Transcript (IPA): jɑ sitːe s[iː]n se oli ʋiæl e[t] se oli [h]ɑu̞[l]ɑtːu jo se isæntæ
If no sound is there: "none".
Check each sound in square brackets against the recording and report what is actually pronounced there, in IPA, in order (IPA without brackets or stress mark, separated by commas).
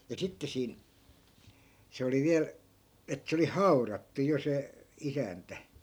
iː, t, h, r